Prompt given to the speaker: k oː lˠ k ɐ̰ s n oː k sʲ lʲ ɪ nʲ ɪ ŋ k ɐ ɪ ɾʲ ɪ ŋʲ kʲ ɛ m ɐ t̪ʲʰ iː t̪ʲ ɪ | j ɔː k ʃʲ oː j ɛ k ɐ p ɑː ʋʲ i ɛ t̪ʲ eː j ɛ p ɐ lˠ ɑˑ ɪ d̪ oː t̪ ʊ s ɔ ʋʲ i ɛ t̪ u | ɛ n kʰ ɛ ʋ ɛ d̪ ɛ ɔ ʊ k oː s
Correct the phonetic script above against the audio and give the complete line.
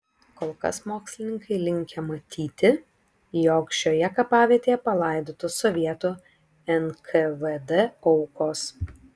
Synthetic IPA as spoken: k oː lˠ k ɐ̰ s m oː k sʲ lʲ ɪ nʲ ɪ ŋ k ɐ ɪ lʲ ɪ ŋʲ kʲ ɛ m ɐ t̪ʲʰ iː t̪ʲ ɪ | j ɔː k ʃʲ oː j ɛ k ɐ p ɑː ʋʲ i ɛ t̪ʲ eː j ɛ p ɐ lˠ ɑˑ ɪ d̪ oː t̪ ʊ s ɔ ʋʲ i ɛ t̪ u | ɛ n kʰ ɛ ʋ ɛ d̪ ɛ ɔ ʊ k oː s